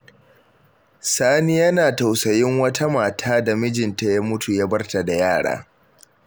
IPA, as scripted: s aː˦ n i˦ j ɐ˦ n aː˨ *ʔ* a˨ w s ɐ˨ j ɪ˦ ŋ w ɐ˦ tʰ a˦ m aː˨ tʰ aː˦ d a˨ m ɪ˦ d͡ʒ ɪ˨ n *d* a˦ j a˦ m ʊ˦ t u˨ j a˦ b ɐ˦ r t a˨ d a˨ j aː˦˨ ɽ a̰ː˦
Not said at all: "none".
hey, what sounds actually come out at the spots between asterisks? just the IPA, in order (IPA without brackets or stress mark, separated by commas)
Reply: t, t